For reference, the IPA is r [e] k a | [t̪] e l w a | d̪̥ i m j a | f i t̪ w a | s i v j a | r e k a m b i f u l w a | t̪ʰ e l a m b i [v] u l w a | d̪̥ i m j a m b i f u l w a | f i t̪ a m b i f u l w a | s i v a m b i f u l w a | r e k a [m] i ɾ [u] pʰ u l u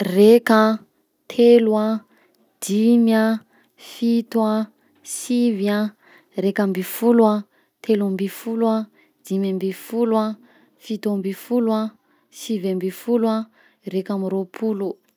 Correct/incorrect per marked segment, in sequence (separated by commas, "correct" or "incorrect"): correct, incorrect, incorrect, correct, incorrect